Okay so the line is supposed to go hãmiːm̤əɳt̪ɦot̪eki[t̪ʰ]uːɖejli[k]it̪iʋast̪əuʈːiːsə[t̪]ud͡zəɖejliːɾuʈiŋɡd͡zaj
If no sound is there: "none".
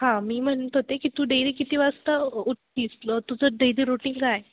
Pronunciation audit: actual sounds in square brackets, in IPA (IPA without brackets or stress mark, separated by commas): t̪, k, t̪